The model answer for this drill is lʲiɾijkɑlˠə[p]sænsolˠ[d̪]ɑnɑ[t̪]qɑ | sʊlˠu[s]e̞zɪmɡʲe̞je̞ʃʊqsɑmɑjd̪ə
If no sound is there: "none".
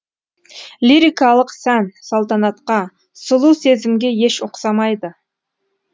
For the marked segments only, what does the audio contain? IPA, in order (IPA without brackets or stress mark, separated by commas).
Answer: q, t̪, t̪, s